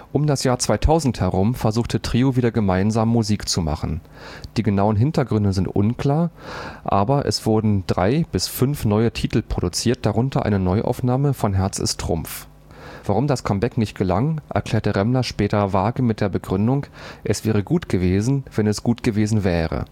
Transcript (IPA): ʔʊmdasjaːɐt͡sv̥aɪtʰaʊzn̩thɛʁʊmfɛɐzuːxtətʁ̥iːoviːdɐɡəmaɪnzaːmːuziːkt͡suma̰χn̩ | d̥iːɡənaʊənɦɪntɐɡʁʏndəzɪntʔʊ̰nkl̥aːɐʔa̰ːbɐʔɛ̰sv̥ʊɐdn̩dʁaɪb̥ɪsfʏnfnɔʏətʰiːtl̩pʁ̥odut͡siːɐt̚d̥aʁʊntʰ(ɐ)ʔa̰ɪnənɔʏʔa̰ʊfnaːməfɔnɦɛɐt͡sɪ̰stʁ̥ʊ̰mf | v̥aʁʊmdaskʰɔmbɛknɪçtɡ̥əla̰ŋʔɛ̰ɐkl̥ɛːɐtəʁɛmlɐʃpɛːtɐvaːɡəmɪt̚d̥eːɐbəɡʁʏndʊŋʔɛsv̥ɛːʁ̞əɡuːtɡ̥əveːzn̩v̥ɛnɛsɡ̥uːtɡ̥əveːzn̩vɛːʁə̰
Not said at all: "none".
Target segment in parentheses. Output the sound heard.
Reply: ɐ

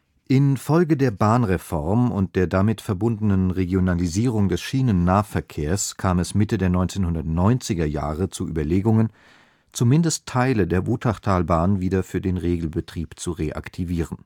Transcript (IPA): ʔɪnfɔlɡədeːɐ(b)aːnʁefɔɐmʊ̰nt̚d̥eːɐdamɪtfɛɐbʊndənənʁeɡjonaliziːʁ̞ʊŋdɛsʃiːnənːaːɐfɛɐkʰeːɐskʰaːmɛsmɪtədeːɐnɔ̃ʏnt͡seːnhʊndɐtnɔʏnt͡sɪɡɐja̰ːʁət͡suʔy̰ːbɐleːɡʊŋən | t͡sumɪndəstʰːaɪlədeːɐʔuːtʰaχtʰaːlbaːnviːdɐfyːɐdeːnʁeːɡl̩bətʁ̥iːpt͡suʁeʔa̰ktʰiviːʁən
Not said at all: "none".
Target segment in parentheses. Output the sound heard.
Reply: b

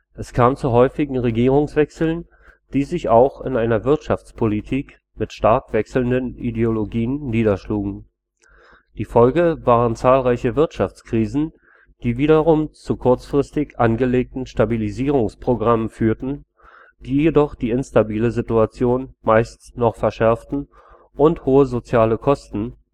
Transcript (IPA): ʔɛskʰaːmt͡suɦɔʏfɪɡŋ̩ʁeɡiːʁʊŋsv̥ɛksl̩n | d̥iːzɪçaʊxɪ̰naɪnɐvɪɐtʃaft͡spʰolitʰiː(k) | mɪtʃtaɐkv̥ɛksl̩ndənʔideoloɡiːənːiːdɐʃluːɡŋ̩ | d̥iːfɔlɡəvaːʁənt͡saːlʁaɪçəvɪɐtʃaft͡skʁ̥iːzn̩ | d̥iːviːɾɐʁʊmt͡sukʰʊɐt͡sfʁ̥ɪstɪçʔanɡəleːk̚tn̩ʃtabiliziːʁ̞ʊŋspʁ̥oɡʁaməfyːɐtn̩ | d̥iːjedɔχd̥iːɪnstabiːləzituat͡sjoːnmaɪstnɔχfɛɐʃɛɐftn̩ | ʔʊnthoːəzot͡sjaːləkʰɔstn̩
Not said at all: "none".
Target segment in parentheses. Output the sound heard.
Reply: k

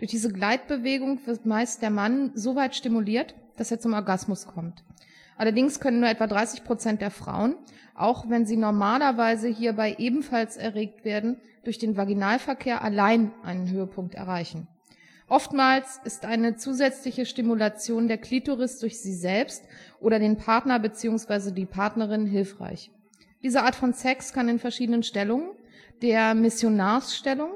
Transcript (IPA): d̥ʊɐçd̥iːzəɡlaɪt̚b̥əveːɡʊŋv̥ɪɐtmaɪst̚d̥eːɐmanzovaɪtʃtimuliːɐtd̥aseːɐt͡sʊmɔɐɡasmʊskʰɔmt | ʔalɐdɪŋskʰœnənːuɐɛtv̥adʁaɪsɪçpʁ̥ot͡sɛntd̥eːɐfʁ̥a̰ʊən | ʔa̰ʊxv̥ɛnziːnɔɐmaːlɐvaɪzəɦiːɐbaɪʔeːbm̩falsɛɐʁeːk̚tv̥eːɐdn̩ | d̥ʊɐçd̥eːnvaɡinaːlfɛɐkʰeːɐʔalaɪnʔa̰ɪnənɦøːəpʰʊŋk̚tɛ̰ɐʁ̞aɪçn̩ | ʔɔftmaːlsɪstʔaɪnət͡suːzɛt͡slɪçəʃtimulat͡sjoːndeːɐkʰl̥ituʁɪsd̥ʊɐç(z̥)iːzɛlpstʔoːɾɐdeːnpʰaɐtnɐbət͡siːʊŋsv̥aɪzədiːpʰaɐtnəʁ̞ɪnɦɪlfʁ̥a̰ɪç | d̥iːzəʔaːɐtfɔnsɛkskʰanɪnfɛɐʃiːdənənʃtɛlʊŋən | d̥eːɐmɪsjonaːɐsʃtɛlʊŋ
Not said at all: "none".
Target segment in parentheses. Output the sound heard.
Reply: z̥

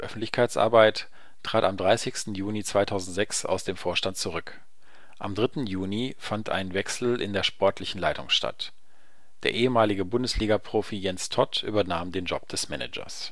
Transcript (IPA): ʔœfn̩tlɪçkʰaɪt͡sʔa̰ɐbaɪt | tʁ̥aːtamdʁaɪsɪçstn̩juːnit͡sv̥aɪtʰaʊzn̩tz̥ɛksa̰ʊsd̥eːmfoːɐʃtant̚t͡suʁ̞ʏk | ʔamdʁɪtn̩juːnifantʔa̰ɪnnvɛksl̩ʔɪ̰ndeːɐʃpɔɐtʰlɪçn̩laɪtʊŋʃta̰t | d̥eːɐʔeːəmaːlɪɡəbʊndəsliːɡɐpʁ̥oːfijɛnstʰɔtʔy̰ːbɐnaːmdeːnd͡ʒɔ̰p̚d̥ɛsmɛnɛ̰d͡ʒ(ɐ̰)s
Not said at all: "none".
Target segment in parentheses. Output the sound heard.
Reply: ɐ̰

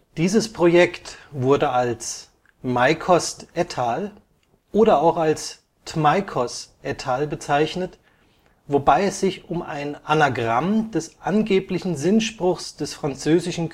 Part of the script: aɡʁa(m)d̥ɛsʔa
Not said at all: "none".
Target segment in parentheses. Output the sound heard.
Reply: m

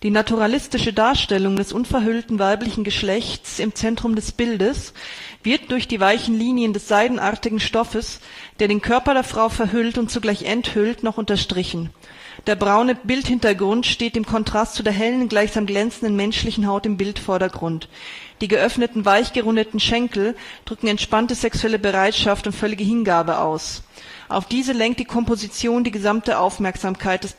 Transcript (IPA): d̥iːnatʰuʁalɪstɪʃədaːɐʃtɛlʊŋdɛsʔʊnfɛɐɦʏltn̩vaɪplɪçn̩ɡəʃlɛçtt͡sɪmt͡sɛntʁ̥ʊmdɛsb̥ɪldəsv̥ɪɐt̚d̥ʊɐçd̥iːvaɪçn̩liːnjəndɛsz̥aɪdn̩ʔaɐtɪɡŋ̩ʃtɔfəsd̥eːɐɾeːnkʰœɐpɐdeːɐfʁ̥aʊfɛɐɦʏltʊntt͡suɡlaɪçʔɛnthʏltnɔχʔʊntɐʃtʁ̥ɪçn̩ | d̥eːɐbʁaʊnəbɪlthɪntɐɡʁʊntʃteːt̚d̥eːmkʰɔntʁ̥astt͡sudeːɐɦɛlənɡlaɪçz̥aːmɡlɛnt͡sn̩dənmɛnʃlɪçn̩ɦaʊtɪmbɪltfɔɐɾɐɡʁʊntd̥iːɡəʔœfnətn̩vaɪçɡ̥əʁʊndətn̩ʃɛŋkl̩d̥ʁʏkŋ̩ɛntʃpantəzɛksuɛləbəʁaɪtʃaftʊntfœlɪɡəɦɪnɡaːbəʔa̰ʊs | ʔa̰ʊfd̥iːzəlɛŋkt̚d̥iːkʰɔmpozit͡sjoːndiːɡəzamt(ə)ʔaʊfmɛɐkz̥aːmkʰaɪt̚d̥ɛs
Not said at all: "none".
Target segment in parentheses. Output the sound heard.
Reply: ə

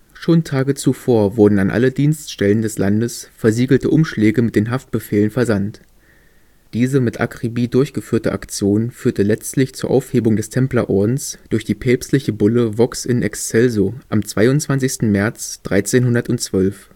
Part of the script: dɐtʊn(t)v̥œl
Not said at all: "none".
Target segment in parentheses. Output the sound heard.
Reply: t͡s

